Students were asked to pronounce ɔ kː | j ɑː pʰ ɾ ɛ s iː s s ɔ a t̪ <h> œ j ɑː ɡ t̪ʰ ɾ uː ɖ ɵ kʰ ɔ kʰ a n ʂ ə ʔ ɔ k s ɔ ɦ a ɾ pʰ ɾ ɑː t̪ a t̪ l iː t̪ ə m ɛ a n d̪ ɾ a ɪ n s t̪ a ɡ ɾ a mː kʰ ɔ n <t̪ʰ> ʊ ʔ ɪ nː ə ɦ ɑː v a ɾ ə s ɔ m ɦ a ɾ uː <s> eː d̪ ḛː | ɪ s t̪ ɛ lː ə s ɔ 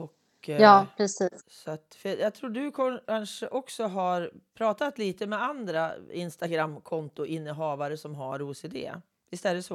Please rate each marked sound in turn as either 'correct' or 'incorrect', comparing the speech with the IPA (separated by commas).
incorrect, incorrect, correct